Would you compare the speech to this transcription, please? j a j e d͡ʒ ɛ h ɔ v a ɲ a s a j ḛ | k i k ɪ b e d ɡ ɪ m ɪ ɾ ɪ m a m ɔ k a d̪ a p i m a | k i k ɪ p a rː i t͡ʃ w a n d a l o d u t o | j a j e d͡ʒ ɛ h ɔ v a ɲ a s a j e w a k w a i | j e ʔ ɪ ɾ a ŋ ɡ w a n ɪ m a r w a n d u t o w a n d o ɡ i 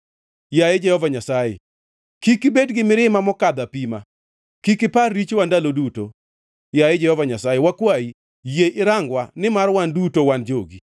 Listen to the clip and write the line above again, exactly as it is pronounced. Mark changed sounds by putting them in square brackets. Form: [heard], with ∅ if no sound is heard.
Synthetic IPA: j a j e d͡ʒ ɛ h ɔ v a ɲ a s a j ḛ | k i k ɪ b e d ɡ ɪ m ɪ ɾ ɪ m a m ɔ k a d̪ a p i m a | k i k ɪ p a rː i t͡ʃ w a n d a l o d u t o | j a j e d͡ʒ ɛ h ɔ v a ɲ a s a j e w a k w a i | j e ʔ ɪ ɾ a ŋ ɡ w a n ɪ m a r w a n d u t o w a n [d͡ʒ] o ɡ i